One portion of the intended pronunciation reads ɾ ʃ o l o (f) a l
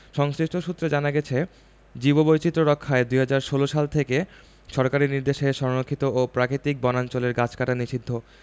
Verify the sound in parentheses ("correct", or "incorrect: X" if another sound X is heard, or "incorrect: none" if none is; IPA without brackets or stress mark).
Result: incorrect: ʃ